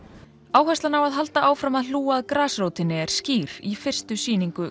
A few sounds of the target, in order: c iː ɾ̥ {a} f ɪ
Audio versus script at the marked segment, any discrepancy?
yes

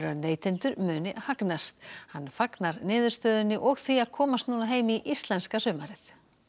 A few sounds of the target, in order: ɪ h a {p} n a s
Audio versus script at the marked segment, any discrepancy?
yes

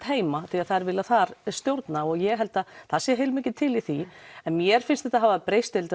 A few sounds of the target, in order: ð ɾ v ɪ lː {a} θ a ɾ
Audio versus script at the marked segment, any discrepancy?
no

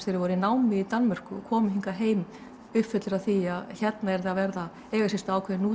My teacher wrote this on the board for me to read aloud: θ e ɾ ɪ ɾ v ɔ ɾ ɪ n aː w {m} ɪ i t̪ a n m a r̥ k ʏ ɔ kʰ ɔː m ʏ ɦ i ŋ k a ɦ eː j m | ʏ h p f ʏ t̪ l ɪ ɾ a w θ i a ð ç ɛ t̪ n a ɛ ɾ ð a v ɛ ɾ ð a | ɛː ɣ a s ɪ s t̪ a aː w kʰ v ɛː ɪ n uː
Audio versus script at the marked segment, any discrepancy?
no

